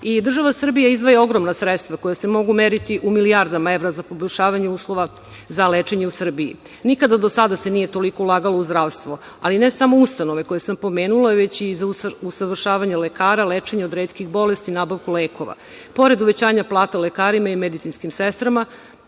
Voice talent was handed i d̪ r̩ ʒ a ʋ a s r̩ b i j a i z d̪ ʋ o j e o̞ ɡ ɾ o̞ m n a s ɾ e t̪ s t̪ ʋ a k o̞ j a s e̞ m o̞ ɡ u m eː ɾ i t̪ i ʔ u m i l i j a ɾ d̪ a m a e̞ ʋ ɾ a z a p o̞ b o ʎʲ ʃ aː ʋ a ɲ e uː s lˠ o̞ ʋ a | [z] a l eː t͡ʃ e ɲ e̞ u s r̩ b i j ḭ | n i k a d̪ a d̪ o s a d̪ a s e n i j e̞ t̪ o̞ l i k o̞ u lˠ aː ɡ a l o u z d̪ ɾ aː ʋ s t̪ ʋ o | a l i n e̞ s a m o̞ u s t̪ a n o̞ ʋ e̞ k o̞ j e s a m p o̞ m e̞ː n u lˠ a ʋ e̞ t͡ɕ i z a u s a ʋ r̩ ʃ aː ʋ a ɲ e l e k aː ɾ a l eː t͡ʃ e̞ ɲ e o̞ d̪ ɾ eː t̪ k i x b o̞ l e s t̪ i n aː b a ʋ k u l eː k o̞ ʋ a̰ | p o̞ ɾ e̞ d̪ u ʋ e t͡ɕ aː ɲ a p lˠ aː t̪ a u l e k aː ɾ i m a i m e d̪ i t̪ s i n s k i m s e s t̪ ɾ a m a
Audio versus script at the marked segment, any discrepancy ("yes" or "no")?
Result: no